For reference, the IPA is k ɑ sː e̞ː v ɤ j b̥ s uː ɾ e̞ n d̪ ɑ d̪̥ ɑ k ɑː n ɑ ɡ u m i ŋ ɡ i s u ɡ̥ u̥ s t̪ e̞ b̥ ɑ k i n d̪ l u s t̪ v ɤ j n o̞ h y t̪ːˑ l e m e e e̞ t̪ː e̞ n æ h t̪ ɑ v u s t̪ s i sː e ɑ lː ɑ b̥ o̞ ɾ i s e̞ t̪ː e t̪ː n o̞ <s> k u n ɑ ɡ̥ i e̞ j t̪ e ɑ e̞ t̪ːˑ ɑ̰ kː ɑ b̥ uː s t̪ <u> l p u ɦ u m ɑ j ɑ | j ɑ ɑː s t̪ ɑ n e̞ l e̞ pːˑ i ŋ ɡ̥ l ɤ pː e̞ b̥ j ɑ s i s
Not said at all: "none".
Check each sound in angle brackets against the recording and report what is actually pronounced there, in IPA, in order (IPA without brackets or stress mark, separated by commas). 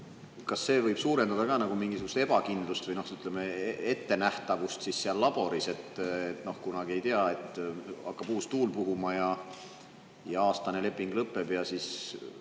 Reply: h, uː